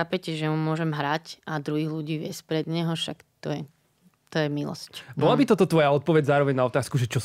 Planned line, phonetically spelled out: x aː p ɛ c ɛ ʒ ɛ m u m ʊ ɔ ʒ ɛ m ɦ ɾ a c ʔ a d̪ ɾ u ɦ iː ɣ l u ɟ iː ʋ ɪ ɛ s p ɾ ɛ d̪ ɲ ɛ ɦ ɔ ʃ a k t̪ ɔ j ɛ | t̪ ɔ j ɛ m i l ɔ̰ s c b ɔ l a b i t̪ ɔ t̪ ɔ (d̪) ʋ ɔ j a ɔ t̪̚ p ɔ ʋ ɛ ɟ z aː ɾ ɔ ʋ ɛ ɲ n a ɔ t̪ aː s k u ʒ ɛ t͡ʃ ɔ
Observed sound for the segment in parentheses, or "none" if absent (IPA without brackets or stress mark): t̪